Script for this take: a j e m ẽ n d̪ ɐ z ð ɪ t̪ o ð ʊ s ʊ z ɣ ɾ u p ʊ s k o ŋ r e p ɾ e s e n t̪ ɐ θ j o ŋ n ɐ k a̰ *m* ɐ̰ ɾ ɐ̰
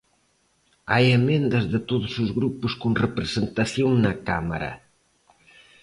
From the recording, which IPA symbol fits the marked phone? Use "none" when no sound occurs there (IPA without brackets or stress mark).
m